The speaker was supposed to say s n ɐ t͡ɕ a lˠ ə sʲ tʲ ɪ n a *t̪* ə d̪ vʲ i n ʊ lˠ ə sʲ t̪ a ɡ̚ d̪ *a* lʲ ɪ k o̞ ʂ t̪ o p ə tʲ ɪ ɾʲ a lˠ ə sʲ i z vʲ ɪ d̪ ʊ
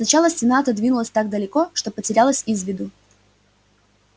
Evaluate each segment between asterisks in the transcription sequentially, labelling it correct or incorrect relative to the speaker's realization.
correct, incorrect: ə

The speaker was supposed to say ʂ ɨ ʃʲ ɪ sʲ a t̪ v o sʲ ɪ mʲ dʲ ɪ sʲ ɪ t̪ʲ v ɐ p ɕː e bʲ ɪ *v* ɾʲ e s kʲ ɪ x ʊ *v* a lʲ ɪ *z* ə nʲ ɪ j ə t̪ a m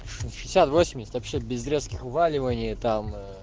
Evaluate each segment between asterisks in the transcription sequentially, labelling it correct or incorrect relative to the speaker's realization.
incorrect: z, correct, incorrect: v

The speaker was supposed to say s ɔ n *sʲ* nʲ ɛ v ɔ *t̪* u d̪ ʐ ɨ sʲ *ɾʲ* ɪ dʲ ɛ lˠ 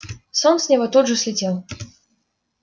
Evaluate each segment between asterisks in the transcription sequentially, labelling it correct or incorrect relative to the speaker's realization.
correct, correct, incorrect: lʲ

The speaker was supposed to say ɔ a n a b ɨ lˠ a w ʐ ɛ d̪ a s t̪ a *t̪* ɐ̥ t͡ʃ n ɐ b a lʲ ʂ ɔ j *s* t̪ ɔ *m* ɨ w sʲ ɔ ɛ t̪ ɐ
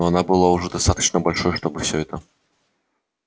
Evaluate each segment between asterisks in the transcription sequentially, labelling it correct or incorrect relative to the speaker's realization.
correct, incorrect: ʂ, incorrect: b

